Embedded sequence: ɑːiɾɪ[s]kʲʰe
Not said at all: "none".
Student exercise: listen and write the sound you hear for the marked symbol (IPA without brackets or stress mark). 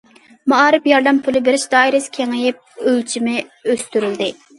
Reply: s